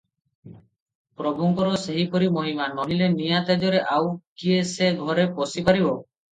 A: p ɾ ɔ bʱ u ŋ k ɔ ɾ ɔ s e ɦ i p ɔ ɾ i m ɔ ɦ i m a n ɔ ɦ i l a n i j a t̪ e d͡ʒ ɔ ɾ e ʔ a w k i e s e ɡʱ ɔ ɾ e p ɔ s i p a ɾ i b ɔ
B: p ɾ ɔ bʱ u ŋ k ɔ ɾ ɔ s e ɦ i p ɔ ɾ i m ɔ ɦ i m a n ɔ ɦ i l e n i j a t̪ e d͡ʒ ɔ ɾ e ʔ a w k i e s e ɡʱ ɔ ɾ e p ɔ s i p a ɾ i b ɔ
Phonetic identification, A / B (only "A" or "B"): B